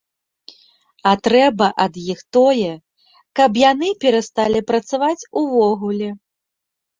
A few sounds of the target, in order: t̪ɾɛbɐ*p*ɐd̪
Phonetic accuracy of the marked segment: incorrect: ʔ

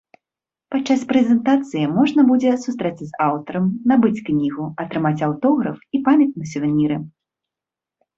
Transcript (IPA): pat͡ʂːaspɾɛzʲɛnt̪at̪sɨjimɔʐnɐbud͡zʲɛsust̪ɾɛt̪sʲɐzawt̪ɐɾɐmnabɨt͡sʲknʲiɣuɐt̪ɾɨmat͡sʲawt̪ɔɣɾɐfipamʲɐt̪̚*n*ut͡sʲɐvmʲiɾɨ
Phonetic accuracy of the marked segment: correct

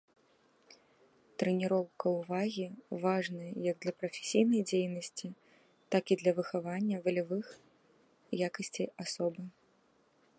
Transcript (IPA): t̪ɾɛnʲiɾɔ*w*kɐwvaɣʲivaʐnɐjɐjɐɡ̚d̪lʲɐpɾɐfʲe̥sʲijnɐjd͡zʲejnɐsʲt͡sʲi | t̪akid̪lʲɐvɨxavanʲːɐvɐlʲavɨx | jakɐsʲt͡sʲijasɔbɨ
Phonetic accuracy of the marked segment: correct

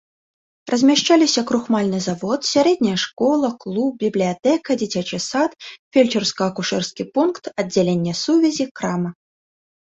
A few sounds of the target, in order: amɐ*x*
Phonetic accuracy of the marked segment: incorrect: none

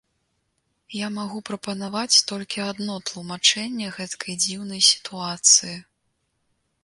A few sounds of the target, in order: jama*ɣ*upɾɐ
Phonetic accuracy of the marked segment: correct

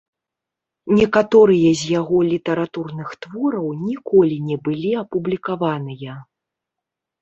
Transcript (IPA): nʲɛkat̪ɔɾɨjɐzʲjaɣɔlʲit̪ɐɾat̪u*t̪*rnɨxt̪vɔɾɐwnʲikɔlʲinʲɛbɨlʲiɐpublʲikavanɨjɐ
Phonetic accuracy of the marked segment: incorrect: none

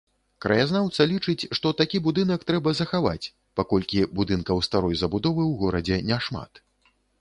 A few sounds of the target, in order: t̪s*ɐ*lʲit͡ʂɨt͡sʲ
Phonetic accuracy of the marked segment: correct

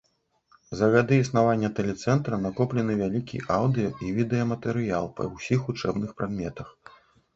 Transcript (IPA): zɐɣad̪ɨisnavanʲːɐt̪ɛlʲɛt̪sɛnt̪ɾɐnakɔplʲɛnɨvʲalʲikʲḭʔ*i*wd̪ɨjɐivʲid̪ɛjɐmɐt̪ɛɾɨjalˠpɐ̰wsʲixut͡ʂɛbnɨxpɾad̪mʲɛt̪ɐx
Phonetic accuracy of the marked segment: incorrect: a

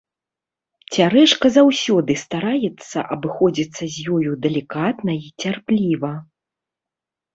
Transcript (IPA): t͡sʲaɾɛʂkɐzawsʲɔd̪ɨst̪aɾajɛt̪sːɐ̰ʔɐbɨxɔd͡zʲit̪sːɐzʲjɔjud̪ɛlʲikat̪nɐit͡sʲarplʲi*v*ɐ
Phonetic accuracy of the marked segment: correct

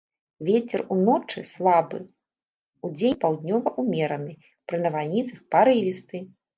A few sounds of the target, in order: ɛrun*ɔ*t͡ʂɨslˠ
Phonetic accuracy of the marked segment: correct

